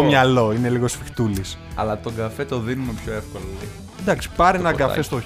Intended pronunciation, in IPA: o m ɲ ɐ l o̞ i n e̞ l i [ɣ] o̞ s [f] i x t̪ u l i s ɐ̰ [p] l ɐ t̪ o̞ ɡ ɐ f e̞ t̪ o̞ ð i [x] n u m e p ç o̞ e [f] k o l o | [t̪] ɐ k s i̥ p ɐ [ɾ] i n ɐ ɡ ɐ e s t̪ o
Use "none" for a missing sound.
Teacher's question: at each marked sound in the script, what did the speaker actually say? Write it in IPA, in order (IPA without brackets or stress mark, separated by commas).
ɣ, f, none, none, f, d̪, ɾ